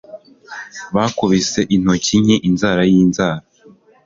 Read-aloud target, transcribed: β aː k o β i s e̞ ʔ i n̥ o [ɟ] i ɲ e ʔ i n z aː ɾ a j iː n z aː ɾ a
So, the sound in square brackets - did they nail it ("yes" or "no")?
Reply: no